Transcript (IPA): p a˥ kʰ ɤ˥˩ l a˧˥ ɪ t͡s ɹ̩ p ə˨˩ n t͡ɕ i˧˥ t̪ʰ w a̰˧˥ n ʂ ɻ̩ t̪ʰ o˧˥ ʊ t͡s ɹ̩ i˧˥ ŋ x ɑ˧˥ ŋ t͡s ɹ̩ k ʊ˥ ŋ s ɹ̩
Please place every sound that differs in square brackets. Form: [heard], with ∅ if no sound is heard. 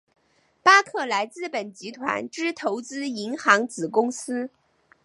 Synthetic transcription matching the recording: p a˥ kʰ ɤ˥˩ l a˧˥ ɪ t͡s ɹ̩ p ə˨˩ n t͡ɕ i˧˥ t̪ʰ w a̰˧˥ n [ʈ͡ʂ] ɻ̩ t̪ʰ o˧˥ ʊ t͡s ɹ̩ i˧˥ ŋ x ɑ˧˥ ŋ t͡s ɹ̩ k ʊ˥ ŋ s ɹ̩